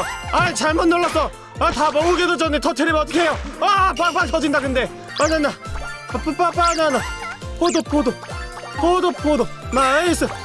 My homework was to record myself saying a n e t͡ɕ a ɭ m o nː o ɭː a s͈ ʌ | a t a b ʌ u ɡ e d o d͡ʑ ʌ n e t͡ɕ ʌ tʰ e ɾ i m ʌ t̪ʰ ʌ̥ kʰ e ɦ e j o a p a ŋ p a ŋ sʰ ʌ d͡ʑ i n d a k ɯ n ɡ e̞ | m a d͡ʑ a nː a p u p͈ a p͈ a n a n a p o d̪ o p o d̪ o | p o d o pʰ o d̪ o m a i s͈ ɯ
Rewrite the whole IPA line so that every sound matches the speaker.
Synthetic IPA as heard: a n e t͡ɕ a ɭ m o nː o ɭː a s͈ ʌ | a t a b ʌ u ɡ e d o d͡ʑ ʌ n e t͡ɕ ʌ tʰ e ɾ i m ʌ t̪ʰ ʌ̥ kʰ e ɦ e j o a p a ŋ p a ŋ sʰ ʌ d͡ʑ i n d a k ɯ n d e̞ | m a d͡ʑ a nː a p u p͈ a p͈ a n a n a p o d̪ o p o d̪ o | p o d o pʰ o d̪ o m a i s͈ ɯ